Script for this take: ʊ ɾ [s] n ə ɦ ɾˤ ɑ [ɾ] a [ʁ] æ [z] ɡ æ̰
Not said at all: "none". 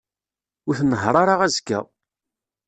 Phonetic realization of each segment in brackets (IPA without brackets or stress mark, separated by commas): θ, ɾ, ʁ, z